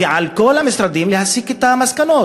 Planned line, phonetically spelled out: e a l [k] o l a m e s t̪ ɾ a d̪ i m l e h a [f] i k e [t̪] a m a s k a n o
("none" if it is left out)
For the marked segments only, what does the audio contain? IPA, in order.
k, s, t̪

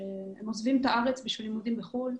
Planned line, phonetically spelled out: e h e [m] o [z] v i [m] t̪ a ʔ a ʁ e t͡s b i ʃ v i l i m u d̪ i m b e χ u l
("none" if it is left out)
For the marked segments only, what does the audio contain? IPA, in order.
m, z, m

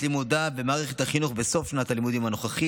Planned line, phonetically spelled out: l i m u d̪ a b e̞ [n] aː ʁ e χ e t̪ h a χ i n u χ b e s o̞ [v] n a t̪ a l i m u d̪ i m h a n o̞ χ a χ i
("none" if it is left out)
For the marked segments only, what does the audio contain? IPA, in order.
m, f

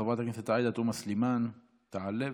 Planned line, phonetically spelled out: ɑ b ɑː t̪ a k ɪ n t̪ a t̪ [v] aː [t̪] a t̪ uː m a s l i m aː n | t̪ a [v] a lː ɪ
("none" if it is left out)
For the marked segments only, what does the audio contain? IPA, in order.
ʕ, d̪, ʕ

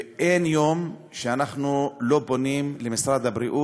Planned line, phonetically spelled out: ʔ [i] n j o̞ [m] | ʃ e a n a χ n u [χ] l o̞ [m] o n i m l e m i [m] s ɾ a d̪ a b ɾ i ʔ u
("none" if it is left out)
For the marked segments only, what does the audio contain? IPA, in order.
e, m, none, b, none

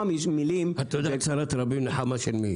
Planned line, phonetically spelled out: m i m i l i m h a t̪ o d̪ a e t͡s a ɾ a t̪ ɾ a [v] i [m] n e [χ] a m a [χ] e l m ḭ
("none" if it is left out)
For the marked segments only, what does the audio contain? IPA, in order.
b, m, ħ, ʃ

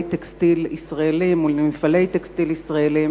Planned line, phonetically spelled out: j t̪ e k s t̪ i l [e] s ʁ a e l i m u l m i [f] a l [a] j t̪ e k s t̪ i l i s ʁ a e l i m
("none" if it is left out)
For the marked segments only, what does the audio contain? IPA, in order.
i, f, e

